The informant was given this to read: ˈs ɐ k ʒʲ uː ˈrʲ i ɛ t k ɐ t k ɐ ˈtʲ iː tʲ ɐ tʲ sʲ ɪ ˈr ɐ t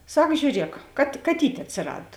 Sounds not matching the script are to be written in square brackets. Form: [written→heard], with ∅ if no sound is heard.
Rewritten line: ˈs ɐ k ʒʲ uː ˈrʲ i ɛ [t→k] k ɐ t k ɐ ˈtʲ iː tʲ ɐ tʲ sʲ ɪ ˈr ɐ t

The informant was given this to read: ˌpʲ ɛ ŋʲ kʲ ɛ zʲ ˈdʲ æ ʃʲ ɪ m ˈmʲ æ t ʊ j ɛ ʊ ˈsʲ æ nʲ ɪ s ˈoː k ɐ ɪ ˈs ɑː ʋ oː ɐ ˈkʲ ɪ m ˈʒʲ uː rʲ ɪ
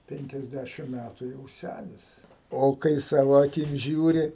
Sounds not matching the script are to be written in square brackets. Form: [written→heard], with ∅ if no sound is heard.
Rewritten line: ˌpʲ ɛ ŋʲ kʲ ɛ zʲ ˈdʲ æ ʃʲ ɪ m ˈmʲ æ t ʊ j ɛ ʊ ˈsʲ æ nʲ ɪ s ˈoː k ɐ ɪ ˈs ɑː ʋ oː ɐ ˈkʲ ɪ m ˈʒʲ uː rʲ ɪ

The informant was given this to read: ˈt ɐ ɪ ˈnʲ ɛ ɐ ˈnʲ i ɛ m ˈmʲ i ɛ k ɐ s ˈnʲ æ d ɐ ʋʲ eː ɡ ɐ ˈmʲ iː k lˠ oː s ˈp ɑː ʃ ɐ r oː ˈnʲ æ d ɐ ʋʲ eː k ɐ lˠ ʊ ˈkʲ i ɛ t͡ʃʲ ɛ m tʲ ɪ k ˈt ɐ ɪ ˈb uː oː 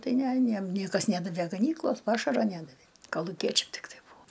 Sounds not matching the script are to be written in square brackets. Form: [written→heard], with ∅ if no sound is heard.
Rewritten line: ˈt ɐ ɪ ˈnʲ ɛ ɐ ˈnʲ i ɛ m [ˈmʲ→ˈnʲ] i ɛ k ɐ s ˈnʲ æ d ɐ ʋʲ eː ɡ ɐ [ˈmʲ→ˈnʲ] iː k lˠ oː s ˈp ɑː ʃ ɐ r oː ˈnʲ æ d ɐ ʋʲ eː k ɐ lˠ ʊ ˈkʲ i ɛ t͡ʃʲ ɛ m tʲ ɪ k ˈt ɐ ɪ ˈb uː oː

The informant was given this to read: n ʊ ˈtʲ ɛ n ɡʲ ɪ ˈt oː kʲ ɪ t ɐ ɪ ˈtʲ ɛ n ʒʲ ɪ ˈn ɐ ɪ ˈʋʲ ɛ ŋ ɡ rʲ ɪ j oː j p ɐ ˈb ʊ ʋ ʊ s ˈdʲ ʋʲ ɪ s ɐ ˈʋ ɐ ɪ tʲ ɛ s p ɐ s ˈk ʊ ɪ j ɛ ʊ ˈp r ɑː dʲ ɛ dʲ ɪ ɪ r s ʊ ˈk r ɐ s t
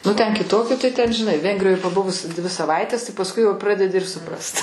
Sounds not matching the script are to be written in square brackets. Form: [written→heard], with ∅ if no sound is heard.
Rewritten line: n ʊ ˈtʲ ɛ n [ɡʲ→kʲ] ɪ ˈt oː kʲ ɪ t ɐ ɪ ˈtʲ ɛ n ʒʲ ɪ ˈn ɐ ɪ ˈʋʲ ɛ ŋ ɡ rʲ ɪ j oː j p ɐ ˈb ʊ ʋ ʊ s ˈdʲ ʋʲ ɪ s ɐ ˈʋ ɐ ɪ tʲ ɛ s p ɐ s ˈk ʊ ɪ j ɛ ʊ ˈp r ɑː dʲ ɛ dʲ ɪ ɪ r s ʊ [ˈk→ˈp] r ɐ s t

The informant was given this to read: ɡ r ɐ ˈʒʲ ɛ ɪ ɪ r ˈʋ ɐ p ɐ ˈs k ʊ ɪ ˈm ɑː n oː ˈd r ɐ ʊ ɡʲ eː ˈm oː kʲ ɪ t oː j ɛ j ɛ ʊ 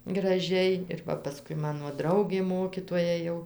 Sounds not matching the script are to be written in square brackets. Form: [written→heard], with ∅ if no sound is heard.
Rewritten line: ɡ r ɐ ˈʒʲ ɛ ɪ ɪ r ˈʋ ɐ p ɐ ˈs k ʊ ɪ ˈm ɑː n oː ˈd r ɐ ʊ ɡʲ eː ˈm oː kʲ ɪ t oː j ɛ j ɛ ʊ

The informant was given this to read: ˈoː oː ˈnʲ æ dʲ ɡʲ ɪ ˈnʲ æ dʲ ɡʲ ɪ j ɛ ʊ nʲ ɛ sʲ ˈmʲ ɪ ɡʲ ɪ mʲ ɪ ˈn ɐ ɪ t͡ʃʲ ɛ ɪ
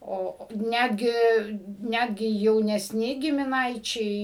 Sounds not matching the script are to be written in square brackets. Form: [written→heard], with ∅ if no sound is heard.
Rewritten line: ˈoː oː ˈnʲ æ dʲ ɡʲ ɪ ˈnʲ æ dʲ ɡʲ ɪ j ɛ ʊ nʲ ɛ sʲ [ˈmʲ→ˈnʲ] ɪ ɡʲ ɪ mʲ ɪ ˈn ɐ ɪ t͡ʃʲ ɛ ɪ

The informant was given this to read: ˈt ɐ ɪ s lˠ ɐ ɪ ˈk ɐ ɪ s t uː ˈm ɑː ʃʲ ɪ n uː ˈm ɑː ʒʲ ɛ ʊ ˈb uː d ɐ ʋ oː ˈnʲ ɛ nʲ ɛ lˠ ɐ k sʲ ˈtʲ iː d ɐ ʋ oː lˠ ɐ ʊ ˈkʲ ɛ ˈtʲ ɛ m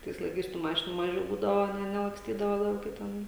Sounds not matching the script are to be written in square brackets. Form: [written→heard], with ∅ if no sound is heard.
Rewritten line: ˈt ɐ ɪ s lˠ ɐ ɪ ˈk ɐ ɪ s t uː ˈm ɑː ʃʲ ɪ n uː ˈm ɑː ʒʲ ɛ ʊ ˈb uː d ɐ ʋ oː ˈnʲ ɛ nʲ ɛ lˠ ɐ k sʲ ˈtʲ iː d ɐ ʋ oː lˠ ɐ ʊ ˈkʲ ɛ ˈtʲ ɛ [m→n]

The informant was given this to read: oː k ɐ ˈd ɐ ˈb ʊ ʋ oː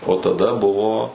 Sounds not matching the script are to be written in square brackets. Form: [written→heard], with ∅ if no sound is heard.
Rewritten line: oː [k→t] ɐ ˈd ɐ ˈb ʊ ʋ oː

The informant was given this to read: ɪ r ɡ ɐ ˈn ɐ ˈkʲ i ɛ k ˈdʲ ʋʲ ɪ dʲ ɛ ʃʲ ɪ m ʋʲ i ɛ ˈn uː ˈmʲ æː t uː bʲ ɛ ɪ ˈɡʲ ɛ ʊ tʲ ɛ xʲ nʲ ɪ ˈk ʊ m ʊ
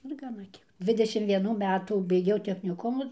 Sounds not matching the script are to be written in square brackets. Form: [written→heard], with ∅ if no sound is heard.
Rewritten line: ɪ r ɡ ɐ ˈn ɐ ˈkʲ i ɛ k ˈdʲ ʋʲ ɪ dʲ ɛ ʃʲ ɪ m ʋʲ i ɛ ˈn uː ˈmʲ æː t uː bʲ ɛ ɪ ˈɡʲ ɛ ʊ tʲ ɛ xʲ nʲ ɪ ˈk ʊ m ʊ

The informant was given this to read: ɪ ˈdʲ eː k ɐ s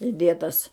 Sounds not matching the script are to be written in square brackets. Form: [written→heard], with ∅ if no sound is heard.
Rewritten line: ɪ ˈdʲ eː [k→t] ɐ s

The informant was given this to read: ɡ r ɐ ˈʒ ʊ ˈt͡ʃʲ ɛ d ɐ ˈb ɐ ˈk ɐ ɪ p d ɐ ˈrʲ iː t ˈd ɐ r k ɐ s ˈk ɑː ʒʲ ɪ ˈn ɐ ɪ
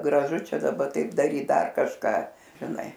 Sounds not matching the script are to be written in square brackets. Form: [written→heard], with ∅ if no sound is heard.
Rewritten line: ɡ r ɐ ˈʒ ʊ ˈt͡ʃʲ ɛ d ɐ ˈb ɐ [ˈk→ˈt] ɐ ɪ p d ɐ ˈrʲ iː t ˈd ɐ r k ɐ [s→ʃ] ˈk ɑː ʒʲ ɪ ˈn ɐ ɪ

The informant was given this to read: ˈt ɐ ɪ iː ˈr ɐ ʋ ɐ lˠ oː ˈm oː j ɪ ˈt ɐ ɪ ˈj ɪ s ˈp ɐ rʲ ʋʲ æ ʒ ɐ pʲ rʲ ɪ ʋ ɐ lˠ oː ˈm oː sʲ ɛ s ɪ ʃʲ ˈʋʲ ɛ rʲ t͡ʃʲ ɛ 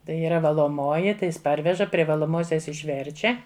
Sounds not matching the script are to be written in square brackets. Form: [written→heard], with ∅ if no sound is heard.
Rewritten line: ˈt ɐ ɪ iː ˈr ɐ ʋ ɐ lˠ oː ˈm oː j ɪ ˈt ɐ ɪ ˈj ɪ s ˈp ɐ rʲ ʋʲ [æ→ɛ] ʒ ɐ pʲ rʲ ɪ ʋ ɐ lˠ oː ˈm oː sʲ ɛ s ɪ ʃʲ ˈʋʲ ɛ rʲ t͡ʃʲ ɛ

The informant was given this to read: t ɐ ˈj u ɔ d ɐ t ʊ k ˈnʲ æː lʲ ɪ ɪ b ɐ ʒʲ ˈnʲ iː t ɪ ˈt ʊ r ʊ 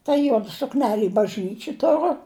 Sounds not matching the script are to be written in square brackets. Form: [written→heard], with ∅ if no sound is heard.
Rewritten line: t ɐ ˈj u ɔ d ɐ [t→s] ʊ k ˈnʲ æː lʲ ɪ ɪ b ɐ ʒʲ ˈnʲ iː [t→t͡ʃʲ] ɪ ˈt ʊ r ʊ

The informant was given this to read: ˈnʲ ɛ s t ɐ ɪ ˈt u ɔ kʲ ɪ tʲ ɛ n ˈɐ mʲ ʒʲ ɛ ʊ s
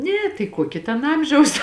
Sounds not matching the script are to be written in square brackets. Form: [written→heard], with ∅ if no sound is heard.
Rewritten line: ˈnʲ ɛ [s→∅] t ɐ ɪ [ˈt→ˈk] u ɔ kʲ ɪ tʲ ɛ n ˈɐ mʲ ʒʲ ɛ ʊ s

